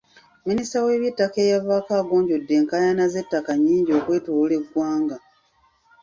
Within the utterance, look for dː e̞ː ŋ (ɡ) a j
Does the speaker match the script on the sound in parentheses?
no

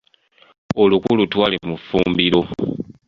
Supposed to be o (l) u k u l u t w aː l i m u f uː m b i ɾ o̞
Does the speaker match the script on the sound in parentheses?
yes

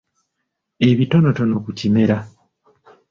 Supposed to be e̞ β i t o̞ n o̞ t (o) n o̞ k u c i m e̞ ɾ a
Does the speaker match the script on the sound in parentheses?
yes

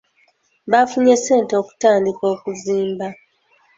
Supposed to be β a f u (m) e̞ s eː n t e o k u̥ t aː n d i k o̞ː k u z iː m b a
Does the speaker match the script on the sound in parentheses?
no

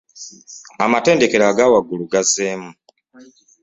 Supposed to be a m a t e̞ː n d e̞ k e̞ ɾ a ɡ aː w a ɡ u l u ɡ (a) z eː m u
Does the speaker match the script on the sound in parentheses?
yes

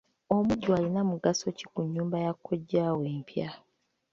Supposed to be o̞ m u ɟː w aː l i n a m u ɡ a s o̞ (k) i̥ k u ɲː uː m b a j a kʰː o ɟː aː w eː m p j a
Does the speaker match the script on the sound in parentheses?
no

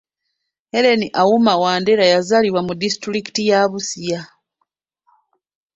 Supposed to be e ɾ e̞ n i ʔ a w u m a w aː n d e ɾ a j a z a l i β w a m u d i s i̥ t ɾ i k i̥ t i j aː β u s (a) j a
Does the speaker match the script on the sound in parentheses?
no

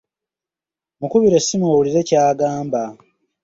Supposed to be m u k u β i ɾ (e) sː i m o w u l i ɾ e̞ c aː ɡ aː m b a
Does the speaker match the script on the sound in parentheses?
yes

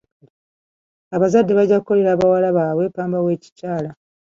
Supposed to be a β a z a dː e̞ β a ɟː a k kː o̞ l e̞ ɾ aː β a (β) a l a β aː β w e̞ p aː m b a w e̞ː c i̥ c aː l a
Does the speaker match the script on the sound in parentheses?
no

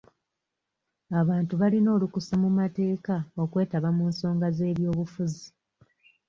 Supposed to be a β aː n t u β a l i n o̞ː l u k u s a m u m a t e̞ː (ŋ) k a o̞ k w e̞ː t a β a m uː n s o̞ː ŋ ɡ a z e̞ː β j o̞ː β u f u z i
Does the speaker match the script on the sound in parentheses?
no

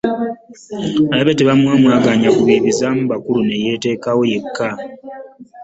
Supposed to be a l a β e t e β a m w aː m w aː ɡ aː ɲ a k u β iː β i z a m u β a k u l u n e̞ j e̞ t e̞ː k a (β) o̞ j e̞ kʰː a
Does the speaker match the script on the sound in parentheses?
no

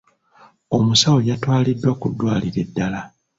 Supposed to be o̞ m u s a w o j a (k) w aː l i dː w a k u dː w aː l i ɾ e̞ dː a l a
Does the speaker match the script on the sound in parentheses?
no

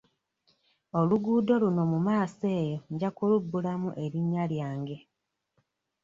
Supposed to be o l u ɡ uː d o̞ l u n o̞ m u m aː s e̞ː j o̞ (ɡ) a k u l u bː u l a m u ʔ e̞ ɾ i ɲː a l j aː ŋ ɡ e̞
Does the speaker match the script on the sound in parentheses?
no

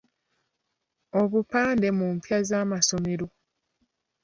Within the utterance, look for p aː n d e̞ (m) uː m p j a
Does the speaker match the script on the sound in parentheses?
yes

